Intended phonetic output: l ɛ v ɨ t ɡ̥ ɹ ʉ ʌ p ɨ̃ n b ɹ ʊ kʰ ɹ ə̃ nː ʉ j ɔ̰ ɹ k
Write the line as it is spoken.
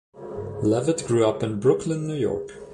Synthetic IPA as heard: l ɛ v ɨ t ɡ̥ ɹ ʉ ʌ p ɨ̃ n b ɹ ʊ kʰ l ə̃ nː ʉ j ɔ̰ ɹ k